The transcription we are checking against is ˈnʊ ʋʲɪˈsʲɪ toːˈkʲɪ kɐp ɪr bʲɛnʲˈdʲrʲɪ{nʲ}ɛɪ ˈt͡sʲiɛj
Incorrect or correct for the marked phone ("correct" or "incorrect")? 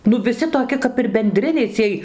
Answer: correct